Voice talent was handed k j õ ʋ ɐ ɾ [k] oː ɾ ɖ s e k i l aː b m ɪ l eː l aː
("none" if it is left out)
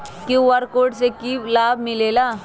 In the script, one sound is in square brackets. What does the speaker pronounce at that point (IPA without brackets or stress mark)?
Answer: k